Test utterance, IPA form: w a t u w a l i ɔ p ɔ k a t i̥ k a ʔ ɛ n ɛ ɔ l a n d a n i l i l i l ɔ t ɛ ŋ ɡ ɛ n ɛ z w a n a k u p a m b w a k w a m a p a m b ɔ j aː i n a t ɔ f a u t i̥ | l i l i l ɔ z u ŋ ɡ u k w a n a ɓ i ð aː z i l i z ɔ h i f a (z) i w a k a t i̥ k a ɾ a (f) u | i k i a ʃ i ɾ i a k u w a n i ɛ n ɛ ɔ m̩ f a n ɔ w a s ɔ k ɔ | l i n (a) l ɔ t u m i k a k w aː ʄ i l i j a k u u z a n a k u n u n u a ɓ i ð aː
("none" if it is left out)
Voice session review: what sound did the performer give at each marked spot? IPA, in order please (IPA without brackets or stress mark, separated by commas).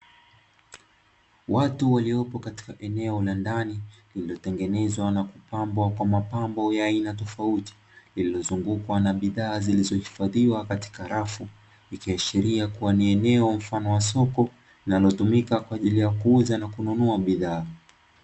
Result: ð, f, a